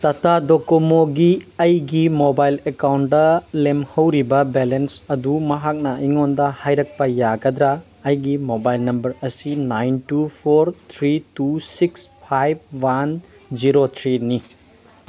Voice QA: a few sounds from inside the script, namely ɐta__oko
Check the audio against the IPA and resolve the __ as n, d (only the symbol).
d